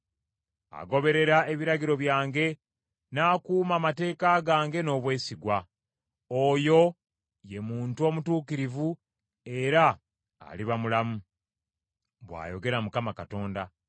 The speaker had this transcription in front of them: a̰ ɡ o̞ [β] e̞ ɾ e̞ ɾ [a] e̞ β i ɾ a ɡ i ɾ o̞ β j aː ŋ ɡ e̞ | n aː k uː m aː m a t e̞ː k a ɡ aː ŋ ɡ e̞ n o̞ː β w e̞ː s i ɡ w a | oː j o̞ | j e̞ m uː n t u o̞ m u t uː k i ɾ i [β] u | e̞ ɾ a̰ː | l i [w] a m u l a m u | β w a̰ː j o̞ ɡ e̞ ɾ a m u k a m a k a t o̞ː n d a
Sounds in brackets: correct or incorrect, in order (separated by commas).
correct, correct, incorrect, incorrect